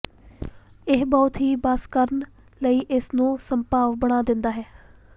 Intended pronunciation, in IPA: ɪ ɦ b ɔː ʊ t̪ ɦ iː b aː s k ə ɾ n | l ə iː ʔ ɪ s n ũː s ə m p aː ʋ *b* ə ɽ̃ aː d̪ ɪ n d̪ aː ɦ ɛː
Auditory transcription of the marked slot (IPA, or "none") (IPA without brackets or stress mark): b